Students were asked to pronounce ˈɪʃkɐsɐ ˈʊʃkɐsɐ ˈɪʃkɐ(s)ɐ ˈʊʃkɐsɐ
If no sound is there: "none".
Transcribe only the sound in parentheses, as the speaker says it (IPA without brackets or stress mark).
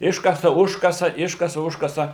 s